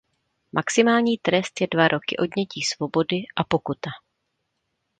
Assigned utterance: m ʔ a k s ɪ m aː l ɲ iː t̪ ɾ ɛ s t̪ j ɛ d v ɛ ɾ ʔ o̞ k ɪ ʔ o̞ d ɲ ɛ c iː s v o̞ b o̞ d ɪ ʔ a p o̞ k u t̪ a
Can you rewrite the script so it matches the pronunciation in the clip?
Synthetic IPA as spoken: m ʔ a k s ɪ m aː l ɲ iː t̪ ɾ ɛ s t̪ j ɛ d v a ɾ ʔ o̞ k ɪ ʔ o̞ d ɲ ɛ c iː s v o̞ b o̞ d ɪ ʔ a p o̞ k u t̪ a